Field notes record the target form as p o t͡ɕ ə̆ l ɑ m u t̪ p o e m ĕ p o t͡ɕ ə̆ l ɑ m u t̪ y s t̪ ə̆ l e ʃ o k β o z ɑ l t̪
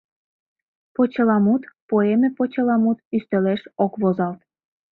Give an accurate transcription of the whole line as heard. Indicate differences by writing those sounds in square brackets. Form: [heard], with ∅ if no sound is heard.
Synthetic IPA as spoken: p o t͡ɕ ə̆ l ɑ m u t̪ p o e m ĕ p o t͡ɕ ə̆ l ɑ m u t̪ y s t̪ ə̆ l e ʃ o k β o z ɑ l t̪